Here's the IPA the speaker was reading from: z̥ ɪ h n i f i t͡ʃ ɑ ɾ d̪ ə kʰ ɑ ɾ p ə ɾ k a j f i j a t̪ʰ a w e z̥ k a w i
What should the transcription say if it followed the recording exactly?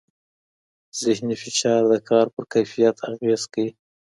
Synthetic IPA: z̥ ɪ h n i f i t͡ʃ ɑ ɾ d̪ ə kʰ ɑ ɾ p ə ɾ k a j f i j a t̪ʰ a ɣ e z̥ k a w i